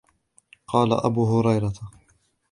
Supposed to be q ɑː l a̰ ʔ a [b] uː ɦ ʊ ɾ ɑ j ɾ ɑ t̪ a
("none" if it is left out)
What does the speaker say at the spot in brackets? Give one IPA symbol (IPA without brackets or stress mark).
b